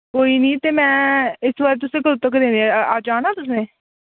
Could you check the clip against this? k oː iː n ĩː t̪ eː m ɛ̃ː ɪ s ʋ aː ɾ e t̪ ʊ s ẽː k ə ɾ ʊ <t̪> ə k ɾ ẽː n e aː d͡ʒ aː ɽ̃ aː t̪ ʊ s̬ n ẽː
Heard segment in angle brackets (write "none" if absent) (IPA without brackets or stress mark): t̪